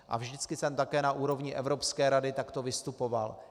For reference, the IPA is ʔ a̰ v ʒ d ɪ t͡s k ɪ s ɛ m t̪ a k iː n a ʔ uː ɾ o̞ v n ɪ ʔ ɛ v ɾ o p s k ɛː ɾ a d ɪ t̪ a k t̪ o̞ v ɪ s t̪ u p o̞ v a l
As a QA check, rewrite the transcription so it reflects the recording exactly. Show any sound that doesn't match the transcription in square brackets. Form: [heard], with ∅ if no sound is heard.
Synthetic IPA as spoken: ʔ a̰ v ʒ d ɪ t͡s k ɪ s ɛ m t̪ a k [ɛː] n a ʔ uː ɾ o̞ v [ɲ] ɪ ʔ ɛ v ɾ o p s k ɛː ɾ a d ɪ t̪ a k t̪ o̞ v ɪ s t̪ u p o̞ v a l